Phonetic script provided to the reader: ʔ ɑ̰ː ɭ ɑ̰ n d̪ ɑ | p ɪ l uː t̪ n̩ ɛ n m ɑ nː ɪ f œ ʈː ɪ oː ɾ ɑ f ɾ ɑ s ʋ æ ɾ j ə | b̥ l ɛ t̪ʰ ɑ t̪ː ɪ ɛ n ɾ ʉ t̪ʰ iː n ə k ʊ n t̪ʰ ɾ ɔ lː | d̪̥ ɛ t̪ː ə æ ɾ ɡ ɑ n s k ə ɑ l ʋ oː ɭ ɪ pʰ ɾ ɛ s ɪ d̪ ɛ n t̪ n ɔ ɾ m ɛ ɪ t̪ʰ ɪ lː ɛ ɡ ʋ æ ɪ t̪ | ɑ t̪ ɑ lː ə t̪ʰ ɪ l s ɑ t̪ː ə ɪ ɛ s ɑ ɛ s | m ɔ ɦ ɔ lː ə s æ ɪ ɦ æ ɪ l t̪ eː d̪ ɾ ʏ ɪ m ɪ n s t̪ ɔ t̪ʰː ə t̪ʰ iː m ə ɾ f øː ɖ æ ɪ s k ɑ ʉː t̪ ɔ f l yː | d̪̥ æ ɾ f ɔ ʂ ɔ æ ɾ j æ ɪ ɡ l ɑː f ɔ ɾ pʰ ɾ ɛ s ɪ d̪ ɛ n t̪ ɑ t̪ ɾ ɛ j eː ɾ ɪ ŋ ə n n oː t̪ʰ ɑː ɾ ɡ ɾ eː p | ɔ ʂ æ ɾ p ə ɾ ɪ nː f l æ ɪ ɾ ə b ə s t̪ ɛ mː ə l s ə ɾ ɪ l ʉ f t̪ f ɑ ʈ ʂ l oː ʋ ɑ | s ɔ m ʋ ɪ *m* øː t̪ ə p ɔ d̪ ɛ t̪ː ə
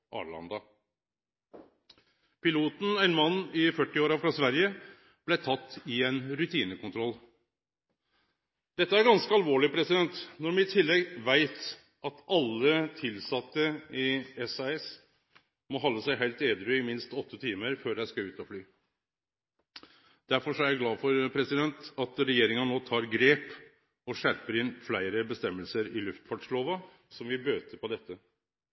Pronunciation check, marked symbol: incorrect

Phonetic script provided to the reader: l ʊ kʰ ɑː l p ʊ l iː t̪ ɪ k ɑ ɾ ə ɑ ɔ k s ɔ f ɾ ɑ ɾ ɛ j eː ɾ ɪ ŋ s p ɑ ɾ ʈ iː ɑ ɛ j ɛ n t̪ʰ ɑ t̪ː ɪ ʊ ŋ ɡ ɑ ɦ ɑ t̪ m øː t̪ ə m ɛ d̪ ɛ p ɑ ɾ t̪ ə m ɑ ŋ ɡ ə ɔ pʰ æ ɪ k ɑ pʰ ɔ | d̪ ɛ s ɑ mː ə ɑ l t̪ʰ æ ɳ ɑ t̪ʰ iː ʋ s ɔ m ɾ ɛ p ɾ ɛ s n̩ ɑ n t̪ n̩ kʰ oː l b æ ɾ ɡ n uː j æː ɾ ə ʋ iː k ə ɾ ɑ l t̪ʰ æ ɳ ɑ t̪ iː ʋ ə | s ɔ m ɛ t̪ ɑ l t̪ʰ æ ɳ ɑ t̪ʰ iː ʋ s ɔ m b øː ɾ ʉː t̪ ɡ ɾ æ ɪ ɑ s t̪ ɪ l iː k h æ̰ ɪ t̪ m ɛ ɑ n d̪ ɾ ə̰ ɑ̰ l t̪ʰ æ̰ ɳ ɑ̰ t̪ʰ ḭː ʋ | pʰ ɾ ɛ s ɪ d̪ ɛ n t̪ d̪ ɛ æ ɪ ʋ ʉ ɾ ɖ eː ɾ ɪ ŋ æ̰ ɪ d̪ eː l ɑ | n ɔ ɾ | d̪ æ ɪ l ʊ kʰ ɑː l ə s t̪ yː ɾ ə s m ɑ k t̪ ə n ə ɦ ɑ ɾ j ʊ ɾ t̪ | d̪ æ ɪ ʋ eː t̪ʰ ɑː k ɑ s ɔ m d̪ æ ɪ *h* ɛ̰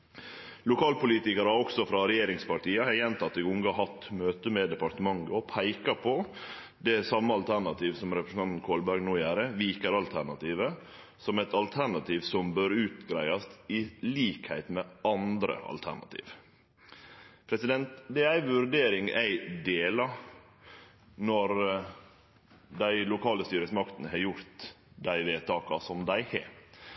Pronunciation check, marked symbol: correct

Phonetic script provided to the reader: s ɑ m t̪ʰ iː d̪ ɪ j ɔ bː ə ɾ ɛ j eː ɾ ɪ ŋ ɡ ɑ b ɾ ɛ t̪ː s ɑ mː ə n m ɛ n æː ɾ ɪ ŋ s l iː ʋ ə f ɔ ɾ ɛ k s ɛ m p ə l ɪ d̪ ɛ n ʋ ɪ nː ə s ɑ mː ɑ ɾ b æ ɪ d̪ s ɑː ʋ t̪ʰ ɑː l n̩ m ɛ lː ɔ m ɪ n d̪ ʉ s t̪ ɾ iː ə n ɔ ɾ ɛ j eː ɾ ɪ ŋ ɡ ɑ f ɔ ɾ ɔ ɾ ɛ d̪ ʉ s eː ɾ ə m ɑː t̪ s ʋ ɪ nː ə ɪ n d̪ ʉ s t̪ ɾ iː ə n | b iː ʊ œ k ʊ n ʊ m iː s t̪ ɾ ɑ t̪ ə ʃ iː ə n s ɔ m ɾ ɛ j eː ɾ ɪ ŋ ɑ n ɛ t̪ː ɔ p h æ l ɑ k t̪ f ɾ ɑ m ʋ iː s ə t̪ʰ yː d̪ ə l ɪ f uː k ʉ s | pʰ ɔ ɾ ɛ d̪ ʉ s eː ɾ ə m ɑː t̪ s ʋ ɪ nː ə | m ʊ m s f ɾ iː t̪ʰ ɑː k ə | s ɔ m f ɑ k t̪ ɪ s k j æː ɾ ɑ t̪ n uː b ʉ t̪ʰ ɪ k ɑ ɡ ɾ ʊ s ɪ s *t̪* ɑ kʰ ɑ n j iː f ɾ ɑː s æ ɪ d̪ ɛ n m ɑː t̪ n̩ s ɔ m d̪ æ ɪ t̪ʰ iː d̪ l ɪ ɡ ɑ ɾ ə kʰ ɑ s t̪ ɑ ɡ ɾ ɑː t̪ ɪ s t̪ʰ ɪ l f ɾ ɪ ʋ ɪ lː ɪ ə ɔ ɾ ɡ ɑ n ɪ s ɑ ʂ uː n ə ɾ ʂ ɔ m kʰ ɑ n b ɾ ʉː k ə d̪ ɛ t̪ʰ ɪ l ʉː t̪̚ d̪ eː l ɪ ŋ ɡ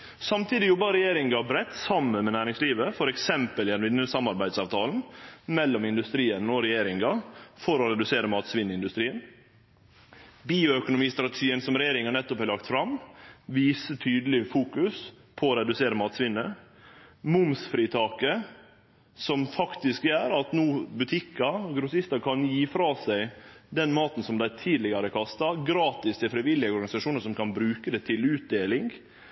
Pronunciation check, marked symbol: correct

